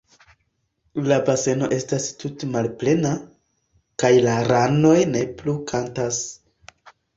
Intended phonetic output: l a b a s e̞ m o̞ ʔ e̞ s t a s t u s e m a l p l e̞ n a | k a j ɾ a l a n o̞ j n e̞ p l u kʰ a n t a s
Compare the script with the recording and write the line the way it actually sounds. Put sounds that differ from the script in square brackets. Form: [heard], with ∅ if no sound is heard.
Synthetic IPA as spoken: l a b a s e̞ [n] o̞ ʔ e̞ s t a s t u [t] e m a l p l e̞ n a | k a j [l] a [ɾ] a n o̞ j n e̞ p l u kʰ a n t a s